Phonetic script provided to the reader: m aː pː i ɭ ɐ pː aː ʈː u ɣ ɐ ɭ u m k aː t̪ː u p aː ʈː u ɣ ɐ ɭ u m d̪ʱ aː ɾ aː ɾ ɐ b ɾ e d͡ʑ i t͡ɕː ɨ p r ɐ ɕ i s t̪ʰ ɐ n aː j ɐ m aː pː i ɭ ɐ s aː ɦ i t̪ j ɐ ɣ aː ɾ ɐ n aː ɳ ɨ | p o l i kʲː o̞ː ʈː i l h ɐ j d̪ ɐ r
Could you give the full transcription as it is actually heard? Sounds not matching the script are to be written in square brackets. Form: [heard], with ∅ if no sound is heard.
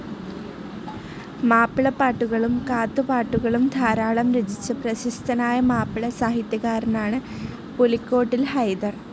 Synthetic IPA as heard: m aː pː i ɭ ɐ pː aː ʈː u ɣ ɐ ɭ u m k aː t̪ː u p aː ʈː u ɣ ɐ ɭ u m d̪ʱ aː ɾ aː [ɭ] ɐ [m] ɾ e d͡ʑ i t͡ɕː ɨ p r ɐ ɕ i s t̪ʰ ɐ n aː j ɐ m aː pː i ɭ ɐ s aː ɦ i t̪ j ɐ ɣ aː ɾ ɐ n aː ɳ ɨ | p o l i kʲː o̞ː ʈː i l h ɐ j d̪ ɐ r